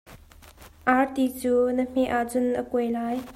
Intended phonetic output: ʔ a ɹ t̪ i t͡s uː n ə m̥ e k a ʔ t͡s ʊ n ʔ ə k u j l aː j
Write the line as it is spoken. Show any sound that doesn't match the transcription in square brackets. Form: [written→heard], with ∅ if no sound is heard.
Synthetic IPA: ʔ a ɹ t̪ i t͡s uː n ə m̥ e [k→ʔ] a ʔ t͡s ʊ n ʔ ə k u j l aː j

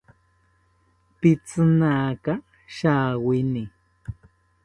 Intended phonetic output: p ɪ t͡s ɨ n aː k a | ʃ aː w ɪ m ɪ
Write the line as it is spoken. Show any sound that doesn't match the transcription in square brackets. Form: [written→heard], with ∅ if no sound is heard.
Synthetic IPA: p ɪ t͡s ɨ n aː k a | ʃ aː w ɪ [m→n] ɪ

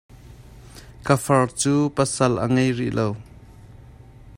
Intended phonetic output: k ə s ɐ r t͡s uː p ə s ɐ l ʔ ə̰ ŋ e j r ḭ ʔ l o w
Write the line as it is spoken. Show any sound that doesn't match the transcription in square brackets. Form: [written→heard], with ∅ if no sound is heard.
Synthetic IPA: k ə [s→f] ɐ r t͡s uː p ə s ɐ l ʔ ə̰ ŋ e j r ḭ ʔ l o w

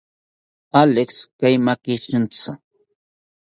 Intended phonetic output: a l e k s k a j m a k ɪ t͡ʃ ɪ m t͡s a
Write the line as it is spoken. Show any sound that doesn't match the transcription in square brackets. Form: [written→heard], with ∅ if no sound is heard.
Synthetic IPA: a l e k s k a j m a k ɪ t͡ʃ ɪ [m→n] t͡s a

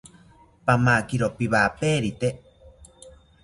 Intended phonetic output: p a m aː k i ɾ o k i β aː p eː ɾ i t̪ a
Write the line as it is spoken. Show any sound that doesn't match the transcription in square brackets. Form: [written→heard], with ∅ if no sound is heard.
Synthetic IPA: p a m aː k i ɾ o [k→p] i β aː p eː ɾ i t̪ [a→e]

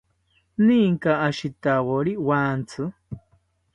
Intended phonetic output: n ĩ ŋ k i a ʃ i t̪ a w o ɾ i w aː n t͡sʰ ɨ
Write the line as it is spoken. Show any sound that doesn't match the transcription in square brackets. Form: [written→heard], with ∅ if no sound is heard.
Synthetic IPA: n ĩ ŋ k [i→a] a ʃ i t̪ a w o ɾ i w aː n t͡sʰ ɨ

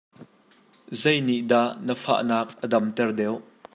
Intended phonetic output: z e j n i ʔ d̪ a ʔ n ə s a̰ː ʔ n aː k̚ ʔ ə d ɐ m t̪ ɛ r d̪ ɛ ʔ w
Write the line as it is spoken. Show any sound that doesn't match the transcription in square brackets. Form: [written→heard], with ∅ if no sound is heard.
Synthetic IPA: z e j n i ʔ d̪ a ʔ n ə [s→f] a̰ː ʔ n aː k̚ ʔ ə d ɐ m t̪ ɛ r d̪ ɛ [ʔ→∅] w

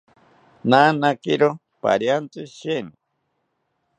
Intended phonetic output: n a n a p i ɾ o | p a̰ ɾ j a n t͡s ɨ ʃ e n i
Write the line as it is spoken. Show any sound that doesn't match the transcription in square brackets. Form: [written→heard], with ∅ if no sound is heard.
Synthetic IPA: n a n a [p→k] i ɾ o | p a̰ ɾ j a n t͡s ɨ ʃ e n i

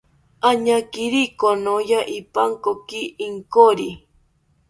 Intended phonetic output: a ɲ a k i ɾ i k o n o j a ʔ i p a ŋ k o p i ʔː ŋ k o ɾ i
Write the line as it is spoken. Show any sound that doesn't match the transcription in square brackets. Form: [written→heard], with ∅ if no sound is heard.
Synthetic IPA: a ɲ a k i ɾ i k o n o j a ʔ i p a ŋ k o [p→k] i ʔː ŋ k o ɾ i

